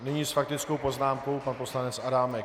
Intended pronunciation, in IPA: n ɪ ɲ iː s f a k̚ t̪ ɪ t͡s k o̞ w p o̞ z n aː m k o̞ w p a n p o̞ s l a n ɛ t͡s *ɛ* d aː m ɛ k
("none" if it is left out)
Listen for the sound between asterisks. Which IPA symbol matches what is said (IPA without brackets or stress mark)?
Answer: a